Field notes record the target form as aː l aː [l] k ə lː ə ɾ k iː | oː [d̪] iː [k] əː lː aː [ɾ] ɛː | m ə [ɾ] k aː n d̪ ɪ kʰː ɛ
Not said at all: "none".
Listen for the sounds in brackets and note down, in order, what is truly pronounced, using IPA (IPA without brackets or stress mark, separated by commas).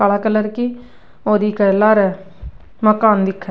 none, d̪, k, ɾ, none